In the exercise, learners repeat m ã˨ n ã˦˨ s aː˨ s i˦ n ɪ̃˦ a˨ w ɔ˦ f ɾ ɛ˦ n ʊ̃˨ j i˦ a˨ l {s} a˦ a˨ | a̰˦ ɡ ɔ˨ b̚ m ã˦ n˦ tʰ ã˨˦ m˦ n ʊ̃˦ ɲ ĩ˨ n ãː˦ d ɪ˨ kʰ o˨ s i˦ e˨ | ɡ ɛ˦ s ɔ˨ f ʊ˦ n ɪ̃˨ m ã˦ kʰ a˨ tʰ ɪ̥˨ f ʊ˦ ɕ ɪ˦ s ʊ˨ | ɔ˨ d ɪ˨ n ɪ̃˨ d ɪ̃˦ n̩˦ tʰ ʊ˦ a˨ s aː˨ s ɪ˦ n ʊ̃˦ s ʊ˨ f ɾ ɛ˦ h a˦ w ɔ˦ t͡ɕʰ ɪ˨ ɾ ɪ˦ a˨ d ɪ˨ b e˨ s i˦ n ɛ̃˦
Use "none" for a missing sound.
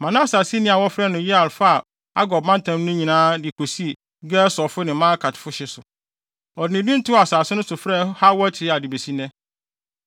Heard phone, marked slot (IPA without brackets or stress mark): f